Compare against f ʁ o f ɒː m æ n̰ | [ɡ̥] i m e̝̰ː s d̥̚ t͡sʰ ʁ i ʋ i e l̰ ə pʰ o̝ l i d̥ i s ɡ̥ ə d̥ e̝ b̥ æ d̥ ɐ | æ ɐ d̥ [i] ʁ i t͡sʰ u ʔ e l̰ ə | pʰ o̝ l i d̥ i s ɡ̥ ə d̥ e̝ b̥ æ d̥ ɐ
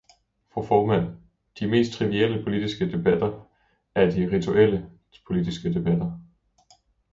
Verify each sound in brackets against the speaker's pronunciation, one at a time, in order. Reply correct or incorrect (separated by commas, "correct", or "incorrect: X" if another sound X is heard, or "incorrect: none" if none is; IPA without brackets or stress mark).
incorrect: d̥, correct